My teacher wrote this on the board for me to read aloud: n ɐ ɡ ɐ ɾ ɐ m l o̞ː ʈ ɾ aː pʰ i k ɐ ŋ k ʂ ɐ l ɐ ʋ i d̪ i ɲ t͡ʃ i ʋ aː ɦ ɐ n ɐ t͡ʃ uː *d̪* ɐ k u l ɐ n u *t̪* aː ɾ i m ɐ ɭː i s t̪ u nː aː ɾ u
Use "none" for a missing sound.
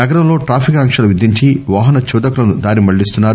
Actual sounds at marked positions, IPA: d̪, d̪

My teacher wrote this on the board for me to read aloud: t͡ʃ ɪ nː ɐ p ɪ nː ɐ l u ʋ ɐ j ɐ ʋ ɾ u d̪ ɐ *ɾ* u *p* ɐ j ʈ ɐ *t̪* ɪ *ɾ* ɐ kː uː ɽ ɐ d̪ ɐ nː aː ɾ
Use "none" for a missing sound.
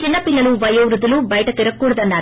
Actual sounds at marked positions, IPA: l, b, t̪, ɾ

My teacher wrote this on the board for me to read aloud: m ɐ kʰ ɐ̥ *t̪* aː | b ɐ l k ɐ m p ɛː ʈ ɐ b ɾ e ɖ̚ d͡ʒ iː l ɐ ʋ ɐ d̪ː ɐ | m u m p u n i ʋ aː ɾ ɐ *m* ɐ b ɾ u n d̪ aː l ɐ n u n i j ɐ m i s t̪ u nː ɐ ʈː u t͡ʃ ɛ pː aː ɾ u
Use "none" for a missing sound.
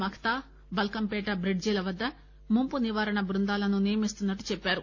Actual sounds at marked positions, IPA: t̪, ɳ

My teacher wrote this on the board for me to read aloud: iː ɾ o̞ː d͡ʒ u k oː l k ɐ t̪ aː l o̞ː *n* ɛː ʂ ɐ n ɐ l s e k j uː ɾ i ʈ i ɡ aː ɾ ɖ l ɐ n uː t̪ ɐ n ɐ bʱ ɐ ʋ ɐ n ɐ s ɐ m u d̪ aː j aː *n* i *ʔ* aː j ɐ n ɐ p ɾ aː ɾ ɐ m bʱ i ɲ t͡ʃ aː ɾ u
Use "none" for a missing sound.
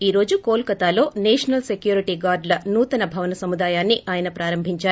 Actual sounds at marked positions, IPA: n, nː, ʔ

